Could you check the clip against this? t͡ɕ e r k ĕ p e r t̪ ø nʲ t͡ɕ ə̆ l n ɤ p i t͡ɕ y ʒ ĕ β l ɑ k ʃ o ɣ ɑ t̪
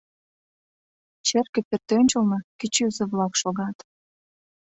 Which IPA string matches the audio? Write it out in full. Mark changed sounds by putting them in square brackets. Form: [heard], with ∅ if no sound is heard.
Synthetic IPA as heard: t͡ɕ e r k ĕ p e r t̪ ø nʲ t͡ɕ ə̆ l n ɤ [k] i t͡ɕ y [z] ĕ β l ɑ k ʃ o ɣ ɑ t̪